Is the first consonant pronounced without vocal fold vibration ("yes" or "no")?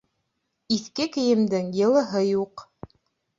yes